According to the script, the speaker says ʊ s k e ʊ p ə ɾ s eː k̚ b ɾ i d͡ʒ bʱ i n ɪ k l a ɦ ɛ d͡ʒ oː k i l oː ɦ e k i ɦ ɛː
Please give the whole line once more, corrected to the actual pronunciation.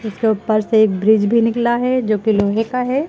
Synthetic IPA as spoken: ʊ s k e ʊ p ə ɾ s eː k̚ b ɾ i d͡ʒ bʱ i n ɪ k l a ɦ ɛ d͡ʒ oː k i l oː ɦ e k a ɦ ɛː

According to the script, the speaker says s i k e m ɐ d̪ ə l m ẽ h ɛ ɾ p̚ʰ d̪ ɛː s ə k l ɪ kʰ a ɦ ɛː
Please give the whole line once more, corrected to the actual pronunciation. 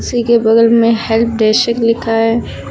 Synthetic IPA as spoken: s i k e b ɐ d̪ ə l m ẽ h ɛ l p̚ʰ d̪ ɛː ʃ ə k l ɪ kʰ a ɦ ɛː

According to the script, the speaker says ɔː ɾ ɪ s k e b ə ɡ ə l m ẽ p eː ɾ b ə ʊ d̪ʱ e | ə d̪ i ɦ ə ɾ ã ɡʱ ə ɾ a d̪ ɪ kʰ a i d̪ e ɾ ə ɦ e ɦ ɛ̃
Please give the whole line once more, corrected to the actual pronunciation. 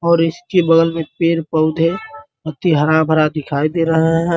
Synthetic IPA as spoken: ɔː ɾ ɪ s k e b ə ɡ ə l m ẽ p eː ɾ p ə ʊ d̪ʱ e | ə t̪ i ɦ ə ɾ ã bʱ ə ɾ a d̪ ɪ kʰ a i d̪ e ɾ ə ɦ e ɦ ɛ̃

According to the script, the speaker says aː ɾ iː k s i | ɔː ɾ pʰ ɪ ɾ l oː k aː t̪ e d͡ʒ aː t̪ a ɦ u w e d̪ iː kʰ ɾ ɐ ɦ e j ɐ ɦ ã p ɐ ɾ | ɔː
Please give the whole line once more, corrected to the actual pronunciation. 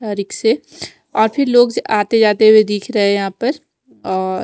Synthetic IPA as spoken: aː ɾ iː k s e | ɔː ɾ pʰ ɪ ɾ l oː ɡ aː t̪ e d͡ʒ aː t̪ e ɦ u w e d̪ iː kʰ ɾ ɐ ɦ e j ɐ ɦ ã p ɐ ɾ | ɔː

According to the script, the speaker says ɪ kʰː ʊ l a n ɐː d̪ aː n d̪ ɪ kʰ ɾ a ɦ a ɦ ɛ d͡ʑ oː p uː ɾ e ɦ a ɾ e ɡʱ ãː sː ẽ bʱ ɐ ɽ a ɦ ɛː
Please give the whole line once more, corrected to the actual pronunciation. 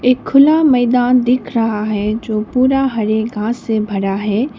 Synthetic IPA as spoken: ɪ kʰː ʊ l a m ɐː d̪ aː n d̪ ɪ kʰ ɾ ɐ ɦ a ɦ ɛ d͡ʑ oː p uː ɾ a ɦ ɐ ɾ e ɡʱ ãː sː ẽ bʱ ɐ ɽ a ɦ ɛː

